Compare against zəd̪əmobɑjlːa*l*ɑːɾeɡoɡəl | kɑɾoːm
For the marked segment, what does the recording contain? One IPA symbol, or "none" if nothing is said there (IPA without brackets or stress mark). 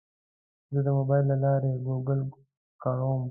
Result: l